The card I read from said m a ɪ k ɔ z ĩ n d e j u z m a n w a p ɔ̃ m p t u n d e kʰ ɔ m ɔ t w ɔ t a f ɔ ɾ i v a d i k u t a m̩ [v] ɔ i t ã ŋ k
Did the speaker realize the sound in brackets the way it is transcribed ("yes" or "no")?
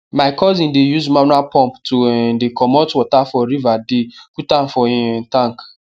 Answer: no